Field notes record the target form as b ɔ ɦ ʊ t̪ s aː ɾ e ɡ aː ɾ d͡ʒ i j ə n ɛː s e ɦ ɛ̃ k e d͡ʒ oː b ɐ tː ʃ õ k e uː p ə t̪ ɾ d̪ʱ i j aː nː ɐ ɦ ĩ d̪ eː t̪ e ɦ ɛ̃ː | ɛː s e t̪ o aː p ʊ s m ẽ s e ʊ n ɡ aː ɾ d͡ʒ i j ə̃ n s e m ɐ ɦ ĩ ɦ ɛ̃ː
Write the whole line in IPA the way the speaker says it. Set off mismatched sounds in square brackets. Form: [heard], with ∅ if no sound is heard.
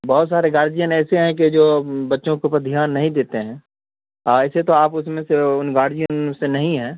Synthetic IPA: b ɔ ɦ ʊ t̪ s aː ɾ e ɡ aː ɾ d͡ʒ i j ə n ɛː s e ɦ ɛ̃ k e d͡ʒ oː b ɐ tː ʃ õ k e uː p ə [∅] ɾ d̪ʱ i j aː nː ɐ ɦ ĩ d̪ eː t̪ e ɦ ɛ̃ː | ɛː s e t̪ o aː p ʊ s m ẽ s e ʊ n ɡ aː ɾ d͡ʒ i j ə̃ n s e [n] ɐ ɦ ĩ ɦ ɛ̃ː